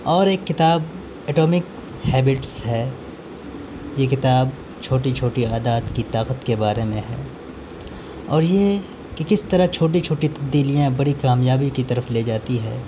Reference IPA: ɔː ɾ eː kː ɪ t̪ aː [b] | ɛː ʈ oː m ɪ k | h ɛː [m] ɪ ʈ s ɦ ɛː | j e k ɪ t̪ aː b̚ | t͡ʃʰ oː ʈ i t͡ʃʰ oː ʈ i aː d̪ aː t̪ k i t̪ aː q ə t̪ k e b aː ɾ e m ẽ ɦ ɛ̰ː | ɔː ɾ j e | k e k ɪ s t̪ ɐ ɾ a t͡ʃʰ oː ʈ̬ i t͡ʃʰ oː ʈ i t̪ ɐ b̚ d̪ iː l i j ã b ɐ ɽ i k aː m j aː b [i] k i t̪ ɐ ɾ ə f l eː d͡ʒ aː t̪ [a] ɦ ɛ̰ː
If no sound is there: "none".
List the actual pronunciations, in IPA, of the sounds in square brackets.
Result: b, b, i, i

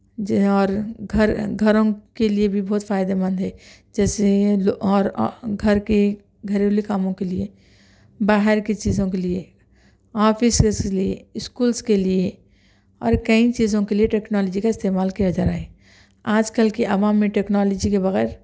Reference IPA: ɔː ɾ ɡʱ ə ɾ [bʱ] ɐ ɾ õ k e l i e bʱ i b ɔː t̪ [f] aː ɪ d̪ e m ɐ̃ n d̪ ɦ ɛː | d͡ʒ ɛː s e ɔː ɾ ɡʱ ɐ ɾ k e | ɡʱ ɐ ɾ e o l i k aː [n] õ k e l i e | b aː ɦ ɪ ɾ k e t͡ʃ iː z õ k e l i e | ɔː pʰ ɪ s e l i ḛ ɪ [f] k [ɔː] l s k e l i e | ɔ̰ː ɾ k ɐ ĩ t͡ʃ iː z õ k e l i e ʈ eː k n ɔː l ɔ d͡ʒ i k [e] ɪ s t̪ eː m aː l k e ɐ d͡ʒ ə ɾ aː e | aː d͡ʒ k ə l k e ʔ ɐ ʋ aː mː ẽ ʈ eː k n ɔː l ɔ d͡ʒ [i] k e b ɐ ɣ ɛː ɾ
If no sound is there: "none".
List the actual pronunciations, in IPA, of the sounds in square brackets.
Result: ɡʱ, f, m, s, uː, a, i

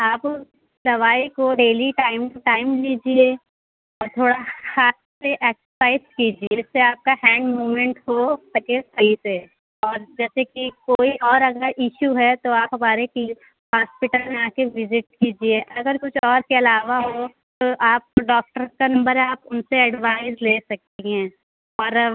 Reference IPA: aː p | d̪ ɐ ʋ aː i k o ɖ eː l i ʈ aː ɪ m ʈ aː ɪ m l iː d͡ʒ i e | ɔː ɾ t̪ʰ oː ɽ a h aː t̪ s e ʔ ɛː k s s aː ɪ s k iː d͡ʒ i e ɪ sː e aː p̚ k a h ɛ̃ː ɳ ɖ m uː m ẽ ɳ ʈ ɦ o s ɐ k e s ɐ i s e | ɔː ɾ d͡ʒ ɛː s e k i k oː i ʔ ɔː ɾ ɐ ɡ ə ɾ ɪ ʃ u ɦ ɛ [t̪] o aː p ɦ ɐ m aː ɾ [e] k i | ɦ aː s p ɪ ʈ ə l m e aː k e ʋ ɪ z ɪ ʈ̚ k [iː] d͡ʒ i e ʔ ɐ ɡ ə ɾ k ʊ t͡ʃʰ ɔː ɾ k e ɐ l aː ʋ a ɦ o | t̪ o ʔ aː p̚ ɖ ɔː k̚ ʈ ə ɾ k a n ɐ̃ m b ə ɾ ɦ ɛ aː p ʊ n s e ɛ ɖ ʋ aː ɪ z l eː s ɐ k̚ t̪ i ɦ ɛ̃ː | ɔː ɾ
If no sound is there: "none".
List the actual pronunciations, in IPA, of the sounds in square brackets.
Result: t̪, e, iː

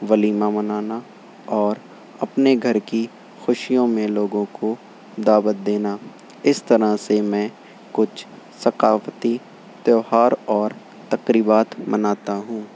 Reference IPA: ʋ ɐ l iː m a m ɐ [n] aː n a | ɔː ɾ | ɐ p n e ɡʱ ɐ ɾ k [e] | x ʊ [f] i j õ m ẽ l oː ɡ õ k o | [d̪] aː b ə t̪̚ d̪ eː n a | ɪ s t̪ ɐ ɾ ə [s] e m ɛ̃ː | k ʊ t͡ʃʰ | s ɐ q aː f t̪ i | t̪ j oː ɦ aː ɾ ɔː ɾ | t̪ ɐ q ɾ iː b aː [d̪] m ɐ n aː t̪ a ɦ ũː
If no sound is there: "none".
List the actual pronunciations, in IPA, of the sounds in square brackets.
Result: n, i, ʃ, d̪, s, t̪

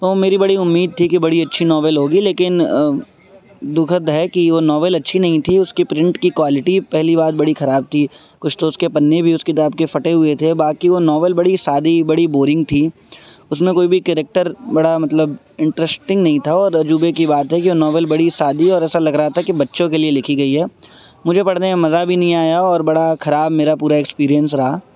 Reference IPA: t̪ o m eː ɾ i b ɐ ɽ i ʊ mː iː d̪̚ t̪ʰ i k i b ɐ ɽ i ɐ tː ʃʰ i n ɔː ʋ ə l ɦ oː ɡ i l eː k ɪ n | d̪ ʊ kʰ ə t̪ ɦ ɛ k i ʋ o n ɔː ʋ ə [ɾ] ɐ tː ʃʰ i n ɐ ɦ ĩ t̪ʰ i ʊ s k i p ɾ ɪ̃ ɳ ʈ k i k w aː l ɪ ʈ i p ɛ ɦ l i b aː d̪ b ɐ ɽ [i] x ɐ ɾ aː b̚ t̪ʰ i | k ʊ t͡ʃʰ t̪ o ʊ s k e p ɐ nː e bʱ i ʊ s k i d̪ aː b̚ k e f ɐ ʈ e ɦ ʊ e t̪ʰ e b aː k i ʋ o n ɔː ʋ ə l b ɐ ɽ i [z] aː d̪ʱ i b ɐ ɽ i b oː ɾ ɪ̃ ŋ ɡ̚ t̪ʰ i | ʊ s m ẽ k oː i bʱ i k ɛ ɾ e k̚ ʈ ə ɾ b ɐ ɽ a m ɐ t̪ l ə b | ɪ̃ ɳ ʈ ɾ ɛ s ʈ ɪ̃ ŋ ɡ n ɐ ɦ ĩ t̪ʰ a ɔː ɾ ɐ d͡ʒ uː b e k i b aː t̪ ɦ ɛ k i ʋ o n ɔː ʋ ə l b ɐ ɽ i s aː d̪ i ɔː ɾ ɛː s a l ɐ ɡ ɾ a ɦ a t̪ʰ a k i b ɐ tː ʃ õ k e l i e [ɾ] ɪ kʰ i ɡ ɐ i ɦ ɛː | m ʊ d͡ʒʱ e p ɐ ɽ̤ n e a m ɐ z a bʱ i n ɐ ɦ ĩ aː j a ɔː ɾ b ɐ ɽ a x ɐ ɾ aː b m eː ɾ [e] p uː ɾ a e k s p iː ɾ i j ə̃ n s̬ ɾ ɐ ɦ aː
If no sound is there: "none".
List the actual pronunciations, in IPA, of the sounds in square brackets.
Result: l, i, s, l, a

